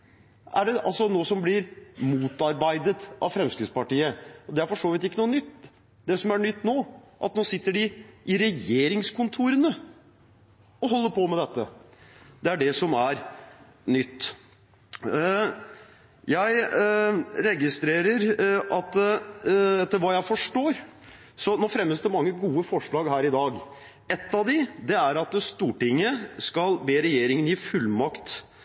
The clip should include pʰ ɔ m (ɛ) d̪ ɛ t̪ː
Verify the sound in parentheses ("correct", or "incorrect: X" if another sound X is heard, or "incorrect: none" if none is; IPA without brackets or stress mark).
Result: correct